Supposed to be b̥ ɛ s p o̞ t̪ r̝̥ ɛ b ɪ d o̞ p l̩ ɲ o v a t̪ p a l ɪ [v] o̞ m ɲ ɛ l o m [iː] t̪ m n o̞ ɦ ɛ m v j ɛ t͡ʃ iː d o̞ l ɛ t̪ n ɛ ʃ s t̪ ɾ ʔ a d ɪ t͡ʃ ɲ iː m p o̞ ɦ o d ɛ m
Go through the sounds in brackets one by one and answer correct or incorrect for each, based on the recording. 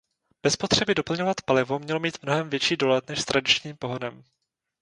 correct, correct

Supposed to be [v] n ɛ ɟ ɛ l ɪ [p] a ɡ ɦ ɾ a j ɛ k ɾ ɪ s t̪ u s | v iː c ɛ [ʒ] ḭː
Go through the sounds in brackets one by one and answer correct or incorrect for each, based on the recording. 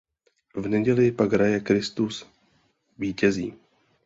correct, correct, incorrect: z

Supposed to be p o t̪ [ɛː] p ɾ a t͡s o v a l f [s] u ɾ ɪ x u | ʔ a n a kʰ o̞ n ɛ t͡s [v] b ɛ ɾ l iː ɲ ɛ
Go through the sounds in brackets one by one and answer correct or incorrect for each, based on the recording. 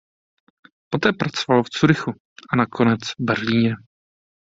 correct, incorrect: t͡s, correct

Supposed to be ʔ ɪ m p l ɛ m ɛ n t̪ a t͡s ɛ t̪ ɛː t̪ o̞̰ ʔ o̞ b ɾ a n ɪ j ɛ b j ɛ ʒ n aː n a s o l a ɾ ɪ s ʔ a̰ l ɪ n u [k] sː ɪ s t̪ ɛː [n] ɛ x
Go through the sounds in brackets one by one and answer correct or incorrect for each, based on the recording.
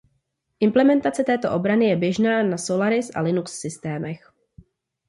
correct, incorrect: m

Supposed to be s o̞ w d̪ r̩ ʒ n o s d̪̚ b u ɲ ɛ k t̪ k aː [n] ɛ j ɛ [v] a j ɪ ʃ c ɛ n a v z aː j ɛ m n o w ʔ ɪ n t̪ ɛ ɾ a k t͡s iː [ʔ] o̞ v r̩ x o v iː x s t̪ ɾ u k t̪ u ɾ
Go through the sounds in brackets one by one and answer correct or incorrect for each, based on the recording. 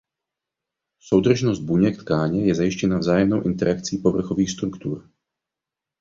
incorrect: ɲ, incorrect: z, incorrect: p

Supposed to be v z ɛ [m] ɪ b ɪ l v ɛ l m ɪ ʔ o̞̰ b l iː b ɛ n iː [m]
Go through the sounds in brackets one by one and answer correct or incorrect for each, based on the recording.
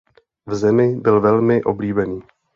correct, incorrect: none

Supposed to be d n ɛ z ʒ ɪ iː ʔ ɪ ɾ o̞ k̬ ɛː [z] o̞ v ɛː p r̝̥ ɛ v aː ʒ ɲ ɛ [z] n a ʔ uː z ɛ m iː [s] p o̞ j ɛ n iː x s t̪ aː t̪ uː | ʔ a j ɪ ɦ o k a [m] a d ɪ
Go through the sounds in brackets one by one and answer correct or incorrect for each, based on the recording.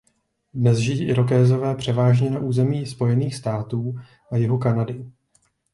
correct, incorrect: none, correct, incorrect: n

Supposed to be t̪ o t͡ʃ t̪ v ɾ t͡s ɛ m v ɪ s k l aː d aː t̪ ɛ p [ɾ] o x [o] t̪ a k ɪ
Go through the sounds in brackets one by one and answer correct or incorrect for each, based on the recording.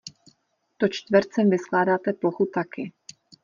incorrect: l, incorrect: u

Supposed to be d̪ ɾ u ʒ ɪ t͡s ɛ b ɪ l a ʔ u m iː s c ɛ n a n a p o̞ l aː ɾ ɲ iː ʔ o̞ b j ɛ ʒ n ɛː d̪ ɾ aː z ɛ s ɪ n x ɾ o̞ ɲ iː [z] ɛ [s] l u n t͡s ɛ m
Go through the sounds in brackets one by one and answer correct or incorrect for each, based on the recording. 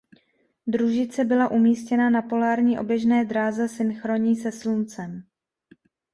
incorrect: s, correct

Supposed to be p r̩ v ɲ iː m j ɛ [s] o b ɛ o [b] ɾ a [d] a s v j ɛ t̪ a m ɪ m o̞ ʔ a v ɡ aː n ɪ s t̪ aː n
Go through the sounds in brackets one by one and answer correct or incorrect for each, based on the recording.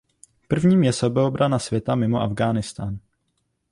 correct, correct, incorrect: n

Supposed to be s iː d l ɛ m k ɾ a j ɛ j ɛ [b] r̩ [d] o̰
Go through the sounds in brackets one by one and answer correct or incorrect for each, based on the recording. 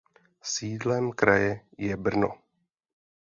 correct, incorrect: n

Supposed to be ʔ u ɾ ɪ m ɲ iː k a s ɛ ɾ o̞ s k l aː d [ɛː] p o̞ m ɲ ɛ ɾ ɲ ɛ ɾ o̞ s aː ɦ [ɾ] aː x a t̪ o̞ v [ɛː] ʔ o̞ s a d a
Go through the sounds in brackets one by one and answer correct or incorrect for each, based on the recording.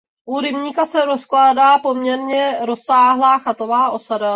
incorrect: aː, incorrect: l, incorrect: aː

